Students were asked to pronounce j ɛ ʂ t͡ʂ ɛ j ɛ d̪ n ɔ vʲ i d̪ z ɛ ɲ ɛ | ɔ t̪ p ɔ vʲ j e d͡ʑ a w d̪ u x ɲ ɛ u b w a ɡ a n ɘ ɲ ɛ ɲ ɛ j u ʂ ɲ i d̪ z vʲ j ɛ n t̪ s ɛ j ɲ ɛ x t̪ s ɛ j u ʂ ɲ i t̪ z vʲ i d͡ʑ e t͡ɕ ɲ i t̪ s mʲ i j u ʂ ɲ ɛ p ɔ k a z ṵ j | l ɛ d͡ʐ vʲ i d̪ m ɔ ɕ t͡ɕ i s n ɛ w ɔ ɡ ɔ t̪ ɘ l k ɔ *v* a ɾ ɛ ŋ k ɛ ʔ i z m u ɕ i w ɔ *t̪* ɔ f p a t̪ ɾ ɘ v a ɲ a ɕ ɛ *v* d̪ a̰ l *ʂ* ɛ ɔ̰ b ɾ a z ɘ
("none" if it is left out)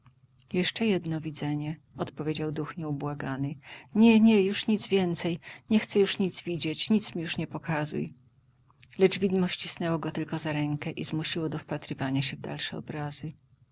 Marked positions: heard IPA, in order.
z, d̪, v, ʂ

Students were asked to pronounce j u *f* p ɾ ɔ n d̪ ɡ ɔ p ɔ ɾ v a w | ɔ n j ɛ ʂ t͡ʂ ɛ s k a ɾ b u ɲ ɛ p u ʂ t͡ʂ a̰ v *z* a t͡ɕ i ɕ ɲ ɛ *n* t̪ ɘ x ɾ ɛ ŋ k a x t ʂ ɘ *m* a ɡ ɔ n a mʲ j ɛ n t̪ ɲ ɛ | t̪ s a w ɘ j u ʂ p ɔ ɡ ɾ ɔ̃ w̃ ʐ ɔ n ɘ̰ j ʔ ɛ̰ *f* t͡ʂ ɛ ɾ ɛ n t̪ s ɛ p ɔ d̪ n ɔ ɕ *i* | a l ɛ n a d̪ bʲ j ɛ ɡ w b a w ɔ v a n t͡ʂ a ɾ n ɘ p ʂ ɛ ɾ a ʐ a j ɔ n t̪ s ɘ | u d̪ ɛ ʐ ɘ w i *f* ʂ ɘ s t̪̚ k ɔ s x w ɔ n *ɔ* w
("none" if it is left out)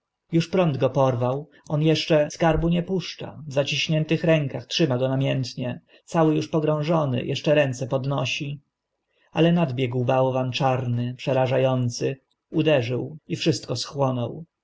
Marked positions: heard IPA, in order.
ʂ, z, n, m, ʂ, i, f, ɔ

